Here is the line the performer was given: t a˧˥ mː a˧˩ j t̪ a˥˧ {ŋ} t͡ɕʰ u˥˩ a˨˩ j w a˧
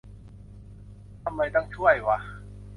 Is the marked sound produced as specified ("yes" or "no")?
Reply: yes